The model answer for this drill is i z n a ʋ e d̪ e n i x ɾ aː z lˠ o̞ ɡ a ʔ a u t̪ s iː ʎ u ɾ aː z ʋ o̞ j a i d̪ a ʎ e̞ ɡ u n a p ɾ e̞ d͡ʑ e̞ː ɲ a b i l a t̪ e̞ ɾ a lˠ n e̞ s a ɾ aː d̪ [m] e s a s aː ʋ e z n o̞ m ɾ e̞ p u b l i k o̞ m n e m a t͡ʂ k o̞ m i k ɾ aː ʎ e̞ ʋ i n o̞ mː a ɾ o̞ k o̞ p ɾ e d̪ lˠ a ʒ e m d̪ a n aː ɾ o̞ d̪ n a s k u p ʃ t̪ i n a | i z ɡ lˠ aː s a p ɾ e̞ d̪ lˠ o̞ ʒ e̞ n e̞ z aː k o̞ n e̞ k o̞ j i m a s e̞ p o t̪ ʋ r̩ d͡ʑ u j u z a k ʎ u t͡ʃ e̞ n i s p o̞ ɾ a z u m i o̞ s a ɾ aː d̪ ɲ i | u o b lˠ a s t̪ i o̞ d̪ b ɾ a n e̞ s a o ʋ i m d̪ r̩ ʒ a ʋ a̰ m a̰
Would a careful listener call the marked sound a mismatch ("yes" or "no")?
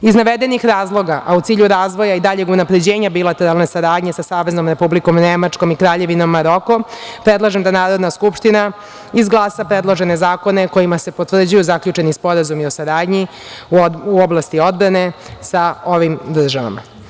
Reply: yes